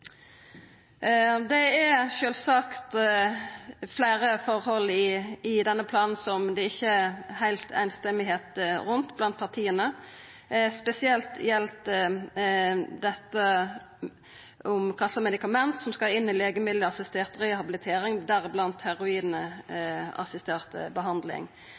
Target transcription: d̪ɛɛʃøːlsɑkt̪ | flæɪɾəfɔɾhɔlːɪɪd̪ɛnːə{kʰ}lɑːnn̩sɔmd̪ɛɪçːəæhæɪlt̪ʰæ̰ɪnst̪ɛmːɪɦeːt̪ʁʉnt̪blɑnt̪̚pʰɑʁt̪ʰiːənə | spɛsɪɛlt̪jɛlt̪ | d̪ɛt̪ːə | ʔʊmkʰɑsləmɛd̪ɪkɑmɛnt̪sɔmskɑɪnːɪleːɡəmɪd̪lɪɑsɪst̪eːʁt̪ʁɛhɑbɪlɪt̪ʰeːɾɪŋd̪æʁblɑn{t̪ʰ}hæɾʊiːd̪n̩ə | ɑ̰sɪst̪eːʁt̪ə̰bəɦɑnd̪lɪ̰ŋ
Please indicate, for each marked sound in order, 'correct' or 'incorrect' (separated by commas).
incorrect, incorrect